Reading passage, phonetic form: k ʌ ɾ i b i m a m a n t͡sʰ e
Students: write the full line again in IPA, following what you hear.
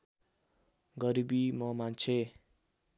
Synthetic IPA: ɡ ʌ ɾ i b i m ʌ m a n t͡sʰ e